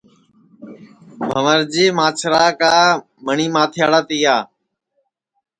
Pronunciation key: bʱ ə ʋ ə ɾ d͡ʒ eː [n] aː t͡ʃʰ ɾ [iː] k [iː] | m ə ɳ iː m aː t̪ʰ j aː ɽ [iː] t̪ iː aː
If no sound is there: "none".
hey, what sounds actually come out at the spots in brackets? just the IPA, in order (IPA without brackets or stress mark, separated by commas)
m, aː, aː, aː